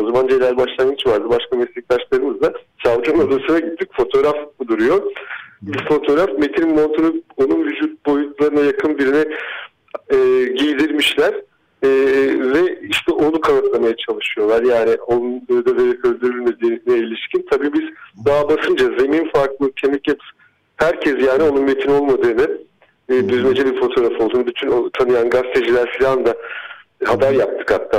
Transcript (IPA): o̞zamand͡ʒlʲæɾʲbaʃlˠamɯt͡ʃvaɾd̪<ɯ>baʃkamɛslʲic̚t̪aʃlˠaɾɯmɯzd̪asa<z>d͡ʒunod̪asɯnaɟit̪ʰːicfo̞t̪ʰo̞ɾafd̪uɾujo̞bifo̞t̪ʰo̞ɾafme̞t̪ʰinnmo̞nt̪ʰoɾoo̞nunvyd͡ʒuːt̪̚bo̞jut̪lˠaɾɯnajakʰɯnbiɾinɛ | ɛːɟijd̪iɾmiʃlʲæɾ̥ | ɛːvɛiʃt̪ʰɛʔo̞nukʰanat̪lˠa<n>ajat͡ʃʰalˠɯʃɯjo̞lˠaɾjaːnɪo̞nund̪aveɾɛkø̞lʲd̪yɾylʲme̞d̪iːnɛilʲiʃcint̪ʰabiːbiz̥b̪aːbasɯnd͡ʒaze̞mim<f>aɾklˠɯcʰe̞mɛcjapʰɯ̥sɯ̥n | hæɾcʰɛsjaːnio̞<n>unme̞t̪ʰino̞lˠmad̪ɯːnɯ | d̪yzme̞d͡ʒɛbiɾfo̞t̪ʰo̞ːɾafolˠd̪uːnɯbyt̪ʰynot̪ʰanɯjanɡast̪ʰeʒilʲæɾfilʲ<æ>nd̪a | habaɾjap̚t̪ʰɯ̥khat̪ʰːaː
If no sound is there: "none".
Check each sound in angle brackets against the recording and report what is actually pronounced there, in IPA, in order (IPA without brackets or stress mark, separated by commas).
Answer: ɯ, v, m, f, n, a